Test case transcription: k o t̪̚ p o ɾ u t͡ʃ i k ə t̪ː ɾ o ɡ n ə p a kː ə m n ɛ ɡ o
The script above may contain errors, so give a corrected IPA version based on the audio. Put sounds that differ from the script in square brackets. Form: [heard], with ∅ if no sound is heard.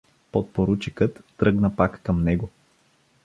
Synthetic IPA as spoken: [p] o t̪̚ p o ɾ u t͡ʃ i k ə t̪ː ɾ [ɤ] ɡ n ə p a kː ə m n ɛ ɡ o